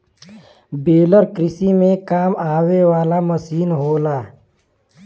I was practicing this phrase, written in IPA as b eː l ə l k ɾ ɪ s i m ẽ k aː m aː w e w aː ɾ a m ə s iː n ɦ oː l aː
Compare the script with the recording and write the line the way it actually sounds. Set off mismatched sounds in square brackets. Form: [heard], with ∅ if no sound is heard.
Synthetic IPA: b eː l ə [ɾ] k ɾ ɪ s i m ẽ k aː m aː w e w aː [l] a m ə s iː n ɦ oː l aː